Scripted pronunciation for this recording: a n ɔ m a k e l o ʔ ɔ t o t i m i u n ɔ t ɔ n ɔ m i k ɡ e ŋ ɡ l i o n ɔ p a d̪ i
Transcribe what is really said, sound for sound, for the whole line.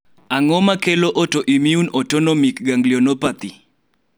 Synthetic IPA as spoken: a ŋ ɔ m a k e l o ʔ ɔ t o ʔ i m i u n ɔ t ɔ n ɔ m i k ɡ a ŋ ɡ l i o n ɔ p a t̪ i